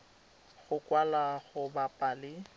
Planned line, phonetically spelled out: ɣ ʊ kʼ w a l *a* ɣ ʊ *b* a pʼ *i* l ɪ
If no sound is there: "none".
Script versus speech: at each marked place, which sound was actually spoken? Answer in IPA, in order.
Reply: a, b, a

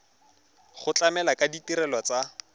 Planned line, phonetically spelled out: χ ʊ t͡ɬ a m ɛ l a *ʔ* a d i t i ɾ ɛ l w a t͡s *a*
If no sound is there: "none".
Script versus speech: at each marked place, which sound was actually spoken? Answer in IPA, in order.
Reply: k, a

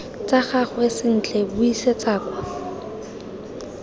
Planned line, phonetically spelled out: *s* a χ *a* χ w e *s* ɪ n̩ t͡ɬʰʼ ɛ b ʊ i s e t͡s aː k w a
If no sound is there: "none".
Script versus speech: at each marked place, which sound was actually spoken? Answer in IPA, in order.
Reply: t͡s, a, s

